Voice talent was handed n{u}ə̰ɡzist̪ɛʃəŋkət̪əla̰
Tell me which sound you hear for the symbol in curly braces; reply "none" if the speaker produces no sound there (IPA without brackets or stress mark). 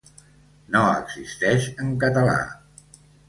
o